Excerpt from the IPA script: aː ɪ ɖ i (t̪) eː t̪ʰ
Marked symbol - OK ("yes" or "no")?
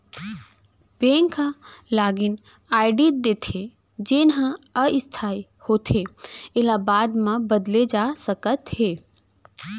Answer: no